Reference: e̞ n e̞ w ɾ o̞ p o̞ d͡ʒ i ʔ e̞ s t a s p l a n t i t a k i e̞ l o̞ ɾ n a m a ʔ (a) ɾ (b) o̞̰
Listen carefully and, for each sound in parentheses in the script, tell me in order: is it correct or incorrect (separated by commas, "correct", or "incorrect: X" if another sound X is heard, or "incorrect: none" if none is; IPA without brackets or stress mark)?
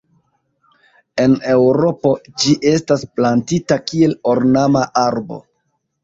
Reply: correct, correct